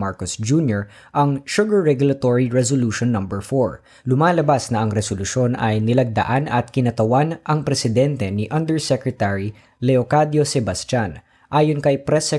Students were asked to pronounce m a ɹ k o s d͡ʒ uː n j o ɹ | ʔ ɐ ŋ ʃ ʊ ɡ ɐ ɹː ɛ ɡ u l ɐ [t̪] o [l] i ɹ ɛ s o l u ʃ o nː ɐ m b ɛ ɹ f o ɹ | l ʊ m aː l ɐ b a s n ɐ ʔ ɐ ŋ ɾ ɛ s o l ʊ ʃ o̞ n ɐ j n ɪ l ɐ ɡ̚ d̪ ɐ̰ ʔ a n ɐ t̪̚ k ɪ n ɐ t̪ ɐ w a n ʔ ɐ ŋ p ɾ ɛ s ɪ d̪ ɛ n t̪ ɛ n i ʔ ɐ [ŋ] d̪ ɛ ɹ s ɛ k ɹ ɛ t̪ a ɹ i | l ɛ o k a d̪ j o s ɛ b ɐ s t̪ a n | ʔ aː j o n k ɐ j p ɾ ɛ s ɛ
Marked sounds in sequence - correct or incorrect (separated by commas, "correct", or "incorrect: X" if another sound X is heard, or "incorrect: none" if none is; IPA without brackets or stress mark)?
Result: correct, incorrect: ɹ, incorrect: n